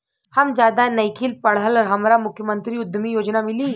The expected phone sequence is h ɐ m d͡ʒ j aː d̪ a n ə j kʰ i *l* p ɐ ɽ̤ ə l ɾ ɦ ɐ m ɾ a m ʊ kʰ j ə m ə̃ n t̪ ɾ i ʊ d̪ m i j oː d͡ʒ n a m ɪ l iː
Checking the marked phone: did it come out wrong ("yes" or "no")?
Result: no